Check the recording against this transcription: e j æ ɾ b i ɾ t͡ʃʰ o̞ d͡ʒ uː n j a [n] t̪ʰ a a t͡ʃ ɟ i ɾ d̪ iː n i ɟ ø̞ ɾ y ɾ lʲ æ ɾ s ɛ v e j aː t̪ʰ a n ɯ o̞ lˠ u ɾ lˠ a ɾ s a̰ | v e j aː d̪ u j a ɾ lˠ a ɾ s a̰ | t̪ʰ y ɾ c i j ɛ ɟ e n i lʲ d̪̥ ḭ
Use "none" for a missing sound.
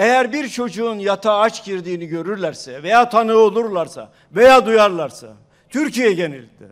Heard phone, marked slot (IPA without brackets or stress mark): none